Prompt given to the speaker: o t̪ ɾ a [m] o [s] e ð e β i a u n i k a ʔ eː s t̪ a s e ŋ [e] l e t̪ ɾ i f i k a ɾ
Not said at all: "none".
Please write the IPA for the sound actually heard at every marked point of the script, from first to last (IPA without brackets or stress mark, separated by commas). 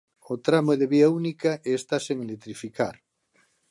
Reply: m, none, e